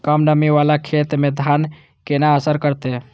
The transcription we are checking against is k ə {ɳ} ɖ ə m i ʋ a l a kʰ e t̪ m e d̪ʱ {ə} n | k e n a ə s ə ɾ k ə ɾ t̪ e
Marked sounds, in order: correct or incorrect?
incorrect, incorrect

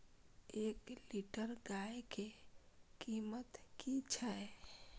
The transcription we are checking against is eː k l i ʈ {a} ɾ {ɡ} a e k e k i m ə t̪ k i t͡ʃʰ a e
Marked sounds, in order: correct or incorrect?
incorrect, correct

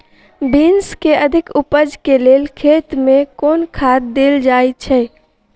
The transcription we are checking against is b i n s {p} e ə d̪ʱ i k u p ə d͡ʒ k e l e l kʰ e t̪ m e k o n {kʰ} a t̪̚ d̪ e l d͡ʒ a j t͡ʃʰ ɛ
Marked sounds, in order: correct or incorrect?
incorrect, correct

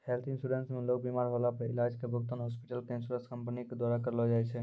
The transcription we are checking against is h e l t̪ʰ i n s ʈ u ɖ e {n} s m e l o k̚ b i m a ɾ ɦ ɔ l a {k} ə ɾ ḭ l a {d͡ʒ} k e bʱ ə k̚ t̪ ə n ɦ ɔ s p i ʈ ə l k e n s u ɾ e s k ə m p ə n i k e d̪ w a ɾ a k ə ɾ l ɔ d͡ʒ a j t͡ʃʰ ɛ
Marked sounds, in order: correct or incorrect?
correct, incorrect, correct

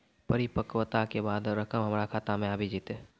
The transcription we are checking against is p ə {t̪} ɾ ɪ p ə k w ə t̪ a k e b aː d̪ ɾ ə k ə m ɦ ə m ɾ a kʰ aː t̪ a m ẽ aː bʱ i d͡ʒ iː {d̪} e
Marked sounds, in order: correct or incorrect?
incorrect, incorrect

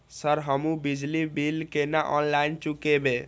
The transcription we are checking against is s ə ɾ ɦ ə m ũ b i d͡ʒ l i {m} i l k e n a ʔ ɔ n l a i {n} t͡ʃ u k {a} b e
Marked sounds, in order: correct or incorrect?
incorrect, correct, incorrect

